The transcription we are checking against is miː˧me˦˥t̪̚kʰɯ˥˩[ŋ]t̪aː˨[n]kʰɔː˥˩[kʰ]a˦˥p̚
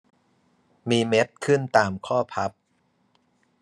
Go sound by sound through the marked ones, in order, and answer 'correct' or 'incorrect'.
incorrect, incorrect, incorrect

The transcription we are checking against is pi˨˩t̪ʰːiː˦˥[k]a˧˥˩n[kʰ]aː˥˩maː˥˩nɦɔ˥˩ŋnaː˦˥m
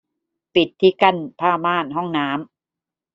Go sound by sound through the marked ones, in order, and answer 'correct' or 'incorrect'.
correct, incorrect

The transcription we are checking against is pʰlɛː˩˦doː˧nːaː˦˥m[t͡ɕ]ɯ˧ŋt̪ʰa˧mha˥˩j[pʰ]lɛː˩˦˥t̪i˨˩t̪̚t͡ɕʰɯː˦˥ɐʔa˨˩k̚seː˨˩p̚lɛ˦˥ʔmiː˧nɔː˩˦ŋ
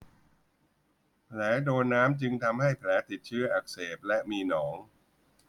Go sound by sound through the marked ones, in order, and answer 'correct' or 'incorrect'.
correct, correct

